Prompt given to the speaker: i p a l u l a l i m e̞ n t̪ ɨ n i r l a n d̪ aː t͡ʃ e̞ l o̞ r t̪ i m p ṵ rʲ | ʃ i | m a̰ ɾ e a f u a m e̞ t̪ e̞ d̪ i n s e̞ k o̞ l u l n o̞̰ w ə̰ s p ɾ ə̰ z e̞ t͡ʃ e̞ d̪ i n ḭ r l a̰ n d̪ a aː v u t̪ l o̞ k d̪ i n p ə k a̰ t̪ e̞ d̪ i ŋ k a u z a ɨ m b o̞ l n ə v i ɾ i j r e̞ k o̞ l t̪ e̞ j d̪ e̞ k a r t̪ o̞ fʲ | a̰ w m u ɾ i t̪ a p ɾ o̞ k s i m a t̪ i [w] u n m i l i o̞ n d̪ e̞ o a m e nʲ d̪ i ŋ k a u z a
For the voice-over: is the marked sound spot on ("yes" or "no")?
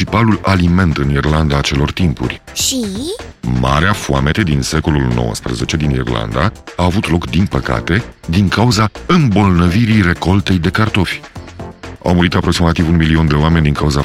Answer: no